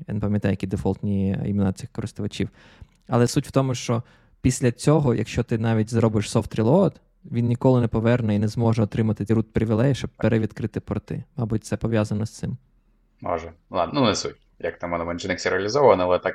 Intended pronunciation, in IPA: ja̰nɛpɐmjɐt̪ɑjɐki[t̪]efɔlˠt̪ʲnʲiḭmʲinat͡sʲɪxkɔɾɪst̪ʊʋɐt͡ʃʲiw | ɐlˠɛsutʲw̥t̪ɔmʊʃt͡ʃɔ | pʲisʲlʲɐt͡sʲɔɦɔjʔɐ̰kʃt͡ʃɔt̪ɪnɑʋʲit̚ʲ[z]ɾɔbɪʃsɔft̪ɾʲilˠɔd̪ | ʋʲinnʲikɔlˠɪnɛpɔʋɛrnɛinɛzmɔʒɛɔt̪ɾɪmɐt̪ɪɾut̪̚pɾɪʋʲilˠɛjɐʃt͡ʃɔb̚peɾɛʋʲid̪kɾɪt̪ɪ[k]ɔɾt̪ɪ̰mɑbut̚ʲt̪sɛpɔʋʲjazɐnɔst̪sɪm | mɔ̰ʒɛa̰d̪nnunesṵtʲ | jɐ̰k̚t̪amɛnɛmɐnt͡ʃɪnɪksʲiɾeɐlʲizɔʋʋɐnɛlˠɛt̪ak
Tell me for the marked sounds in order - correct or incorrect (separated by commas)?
incorrect, correct, incorrect